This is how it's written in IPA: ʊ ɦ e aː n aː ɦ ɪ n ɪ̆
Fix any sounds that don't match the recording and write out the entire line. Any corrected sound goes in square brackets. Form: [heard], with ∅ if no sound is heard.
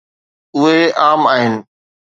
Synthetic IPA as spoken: ʊ ɦ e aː [m] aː ɦ ɪ n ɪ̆